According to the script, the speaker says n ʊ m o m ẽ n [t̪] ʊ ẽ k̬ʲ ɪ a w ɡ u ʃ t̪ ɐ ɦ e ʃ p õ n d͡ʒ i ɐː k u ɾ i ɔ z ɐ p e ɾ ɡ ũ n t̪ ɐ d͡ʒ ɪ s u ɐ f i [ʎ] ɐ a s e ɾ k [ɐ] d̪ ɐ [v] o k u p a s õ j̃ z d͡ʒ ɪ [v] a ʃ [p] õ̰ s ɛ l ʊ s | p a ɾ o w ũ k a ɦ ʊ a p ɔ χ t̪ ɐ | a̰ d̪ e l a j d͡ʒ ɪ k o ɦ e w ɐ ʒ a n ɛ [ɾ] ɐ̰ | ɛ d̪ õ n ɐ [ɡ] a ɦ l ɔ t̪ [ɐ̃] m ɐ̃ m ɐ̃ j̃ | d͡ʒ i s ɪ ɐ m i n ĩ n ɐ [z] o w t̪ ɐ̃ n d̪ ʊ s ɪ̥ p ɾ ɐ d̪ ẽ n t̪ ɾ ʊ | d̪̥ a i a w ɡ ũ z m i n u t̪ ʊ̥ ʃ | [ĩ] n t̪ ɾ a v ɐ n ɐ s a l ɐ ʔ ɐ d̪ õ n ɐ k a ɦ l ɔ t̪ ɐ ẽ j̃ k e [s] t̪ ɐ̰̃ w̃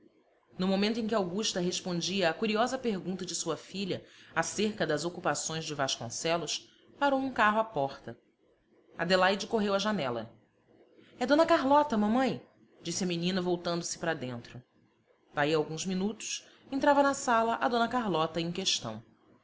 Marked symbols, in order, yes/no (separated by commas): yes, yes, yes, no, yes, no, no, no, no, no, no, no